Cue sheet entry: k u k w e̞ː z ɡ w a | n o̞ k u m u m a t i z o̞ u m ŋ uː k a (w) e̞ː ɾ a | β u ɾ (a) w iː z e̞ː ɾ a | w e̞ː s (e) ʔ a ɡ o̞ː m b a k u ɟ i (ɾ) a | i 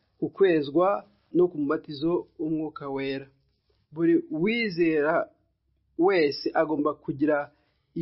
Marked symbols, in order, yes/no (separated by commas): yes, no, yes, yes